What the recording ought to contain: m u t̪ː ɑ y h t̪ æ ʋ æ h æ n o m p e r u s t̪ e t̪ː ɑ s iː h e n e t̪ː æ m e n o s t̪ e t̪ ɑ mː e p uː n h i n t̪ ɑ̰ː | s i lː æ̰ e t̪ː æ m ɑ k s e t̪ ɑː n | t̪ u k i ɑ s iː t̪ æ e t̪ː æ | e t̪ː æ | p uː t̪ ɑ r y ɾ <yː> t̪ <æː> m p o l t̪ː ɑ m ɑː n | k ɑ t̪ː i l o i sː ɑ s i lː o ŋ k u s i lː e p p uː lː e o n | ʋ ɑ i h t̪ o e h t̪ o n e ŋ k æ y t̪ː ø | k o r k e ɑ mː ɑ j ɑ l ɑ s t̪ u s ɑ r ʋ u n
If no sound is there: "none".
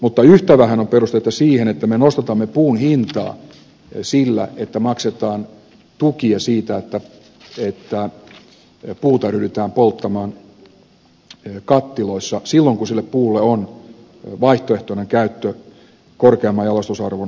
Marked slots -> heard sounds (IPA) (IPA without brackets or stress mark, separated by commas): y, æː